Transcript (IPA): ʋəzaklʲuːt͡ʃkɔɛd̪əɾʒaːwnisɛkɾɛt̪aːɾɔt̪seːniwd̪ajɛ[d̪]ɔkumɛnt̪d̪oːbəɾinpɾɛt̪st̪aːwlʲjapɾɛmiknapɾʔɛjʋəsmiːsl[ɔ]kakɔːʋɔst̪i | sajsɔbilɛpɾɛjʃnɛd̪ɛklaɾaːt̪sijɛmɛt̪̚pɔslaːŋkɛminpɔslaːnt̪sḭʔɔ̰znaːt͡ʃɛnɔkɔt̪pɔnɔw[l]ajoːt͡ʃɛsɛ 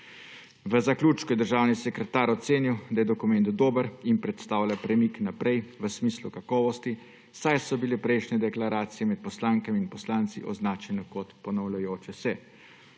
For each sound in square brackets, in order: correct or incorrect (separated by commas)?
correct, incorrect, correct